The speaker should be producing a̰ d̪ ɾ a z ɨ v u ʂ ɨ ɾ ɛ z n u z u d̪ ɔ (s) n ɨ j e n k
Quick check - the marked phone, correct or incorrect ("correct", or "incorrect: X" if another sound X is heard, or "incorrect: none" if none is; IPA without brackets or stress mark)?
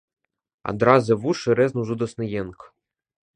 correct